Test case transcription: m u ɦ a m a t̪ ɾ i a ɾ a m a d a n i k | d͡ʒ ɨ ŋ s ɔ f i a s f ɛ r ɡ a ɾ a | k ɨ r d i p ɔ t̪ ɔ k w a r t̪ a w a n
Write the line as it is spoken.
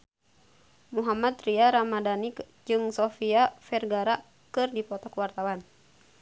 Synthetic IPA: m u ɦ a m a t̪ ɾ i a ɾ a m a d a n i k | d͡ʒ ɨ ŋ s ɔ f i a f ɛ r ɡ a ɾ a | k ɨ r d i p ɔ t̪ ɔ k w a r t̪ a w a n

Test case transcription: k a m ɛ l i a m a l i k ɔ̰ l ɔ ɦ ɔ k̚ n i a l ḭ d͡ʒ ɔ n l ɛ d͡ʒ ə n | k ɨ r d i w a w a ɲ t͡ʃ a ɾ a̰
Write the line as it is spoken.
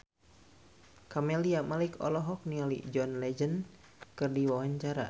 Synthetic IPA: k a m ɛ l i a m a l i k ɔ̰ l ɔ ɦ ɔ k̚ n i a l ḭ d͡ʒ ɔ n l ɛ d͡ʒ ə n | k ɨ r d i w a w a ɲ t͡ʃ a ɾ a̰

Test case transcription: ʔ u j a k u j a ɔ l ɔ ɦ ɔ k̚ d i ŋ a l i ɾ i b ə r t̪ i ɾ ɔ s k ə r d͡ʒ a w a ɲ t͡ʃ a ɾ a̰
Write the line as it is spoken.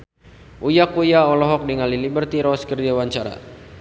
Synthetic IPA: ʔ u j a k u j a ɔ l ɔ ɦ ɔ k̚ d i ŋ a l i l i b ə r t̪ i ɾ ɔ s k ə r d͡ʒ a w a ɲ t͡ʃ a ɾ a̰

